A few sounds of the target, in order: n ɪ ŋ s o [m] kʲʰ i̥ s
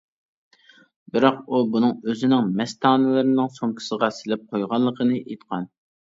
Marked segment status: incorrect: ŋ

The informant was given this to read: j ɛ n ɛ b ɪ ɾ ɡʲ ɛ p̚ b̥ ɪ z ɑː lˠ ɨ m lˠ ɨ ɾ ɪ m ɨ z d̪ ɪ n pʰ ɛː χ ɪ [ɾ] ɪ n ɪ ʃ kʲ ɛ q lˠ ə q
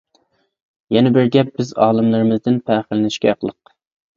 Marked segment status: incorrect: l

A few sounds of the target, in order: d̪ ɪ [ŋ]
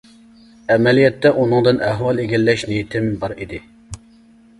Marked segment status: incorrect: none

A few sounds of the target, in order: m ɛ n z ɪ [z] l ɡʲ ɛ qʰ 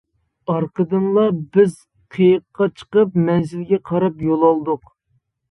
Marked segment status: incorrect: none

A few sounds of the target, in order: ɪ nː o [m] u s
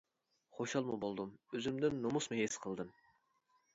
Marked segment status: correct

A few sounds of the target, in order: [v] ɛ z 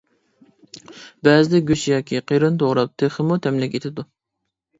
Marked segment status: incorrect: b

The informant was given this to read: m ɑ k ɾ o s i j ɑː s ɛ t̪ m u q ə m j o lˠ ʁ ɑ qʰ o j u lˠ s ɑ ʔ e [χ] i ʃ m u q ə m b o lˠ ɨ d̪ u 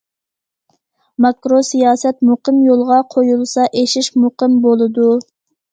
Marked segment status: incorrect: ʃ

